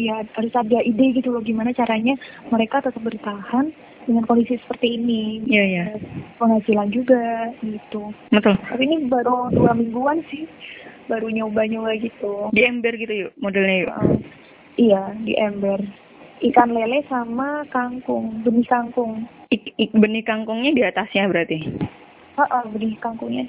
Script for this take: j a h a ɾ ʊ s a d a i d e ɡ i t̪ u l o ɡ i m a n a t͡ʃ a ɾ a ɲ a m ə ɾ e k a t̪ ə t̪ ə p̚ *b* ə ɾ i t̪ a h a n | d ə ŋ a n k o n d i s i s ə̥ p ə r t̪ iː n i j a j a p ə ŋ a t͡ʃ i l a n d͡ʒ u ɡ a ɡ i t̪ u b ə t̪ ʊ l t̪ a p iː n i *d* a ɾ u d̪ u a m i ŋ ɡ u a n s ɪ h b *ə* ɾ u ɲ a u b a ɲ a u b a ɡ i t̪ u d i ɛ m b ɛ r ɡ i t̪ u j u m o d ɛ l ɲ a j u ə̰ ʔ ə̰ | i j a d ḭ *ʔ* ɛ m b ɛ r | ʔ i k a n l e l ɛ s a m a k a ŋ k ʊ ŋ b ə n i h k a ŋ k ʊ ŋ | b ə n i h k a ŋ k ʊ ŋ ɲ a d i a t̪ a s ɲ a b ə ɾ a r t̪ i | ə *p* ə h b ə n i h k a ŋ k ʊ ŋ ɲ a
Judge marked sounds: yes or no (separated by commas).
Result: yes, no, no, yes, no